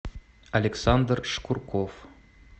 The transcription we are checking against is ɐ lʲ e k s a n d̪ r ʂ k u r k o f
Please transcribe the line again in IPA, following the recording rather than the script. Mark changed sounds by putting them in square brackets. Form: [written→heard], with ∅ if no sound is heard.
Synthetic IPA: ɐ lʲ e k s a n d̪ r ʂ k u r k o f